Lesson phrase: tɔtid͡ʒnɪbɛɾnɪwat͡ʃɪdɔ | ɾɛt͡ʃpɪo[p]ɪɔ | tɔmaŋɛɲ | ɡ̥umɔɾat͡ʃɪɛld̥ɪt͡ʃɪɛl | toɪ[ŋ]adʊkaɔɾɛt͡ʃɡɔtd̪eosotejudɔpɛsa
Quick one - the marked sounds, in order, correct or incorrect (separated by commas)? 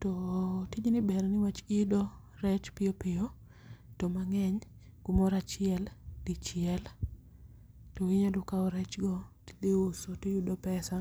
correct, incorrect